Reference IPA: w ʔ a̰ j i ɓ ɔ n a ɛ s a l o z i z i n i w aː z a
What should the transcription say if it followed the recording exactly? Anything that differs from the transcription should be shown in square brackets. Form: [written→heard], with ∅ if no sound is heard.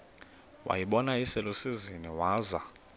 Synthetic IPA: w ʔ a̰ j i ɓ ɔ n a [ɛ→i] s [a→ɛ] l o [z→s] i z i n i w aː z a